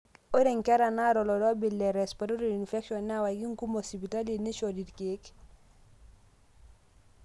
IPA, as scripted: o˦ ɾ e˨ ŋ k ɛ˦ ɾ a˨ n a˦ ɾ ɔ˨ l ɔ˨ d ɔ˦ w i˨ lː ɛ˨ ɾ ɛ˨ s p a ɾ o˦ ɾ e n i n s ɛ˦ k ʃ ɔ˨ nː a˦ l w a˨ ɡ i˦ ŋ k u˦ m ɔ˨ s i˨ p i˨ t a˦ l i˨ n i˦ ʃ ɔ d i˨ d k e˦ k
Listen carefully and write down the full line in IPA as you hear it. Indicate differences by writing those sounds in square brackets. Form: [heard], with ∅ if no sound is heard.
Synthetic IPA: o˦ ɾ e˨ ŋ k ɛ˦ ɾ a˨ n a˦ ɾ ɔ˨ l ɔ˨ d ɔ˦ [b] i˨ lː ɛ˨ ɾ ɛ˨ s p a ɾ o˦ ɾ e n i n [f] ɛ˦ k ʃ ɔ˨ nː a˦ [∅] w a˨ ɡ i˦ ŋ k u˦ m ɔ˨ s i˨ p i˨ t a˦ l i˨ n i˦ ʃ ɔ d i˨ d k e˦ k